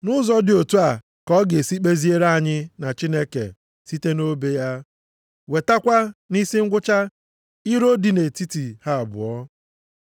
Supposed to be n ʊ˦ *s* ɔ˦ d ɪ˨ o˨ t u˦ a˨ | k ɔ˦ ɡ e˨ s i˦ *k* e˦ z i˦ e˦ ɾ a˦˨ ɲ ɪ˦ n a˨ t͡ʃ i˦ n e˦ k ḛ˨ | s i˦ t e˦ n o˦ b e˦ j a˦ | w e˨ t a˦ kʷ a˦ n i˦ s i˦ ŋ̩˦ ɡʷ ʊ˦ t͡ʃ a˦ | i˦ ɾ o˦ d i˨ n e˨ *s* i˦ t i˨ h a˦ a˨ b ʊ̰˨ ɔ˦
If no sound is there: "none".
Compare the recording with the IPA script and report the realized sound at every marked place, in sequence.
z, k͡p, t

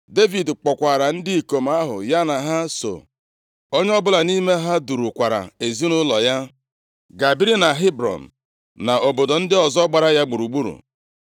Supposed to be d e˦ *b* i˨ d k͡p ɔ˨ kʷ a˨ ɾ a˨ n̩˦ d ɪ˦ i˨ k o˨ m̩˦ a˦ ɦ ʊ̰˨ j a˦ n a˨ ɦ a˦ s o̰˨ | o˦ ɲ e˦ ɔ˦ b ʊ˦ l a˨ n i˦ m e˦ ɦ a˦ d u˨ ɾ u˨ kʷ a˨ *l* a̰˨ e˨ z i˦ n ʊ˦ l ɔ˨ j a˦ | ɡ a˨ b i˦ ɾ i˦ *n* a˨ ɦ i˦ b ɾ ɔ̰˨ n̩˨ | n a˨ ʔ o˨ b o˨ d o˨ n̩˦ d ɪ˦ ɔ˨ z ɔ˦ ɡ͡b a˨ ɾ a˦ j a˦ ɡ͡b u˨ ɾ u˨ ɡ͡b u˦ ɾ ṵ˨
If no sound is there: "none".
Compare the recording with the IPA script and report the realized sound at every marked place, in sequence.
v, ɾ, n

